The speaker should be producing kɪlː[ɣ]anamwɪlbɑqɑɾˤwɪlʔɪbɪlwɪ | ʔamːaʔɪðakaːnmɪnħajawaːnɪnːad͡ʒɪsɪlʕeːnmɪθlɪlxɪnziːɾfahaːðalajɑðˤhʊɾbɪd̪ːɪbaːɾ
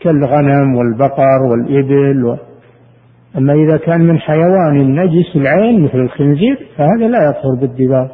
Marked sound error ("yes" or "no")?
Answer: no